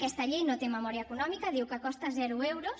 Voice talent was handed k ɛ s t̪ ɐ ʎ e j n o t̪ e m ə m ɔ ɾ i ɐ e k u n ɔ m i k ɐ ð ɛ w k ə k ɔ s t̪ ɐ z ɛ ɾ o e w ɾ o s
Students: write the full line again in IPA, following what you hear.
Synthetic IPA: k ɛ s t̪ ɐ ʎ e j n o t̪ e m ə m ɔ ɾ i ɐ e k u n ɔ m i k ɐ ð i w k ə k ɔ s t̪ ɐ z ɛ ɾ u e w ɾ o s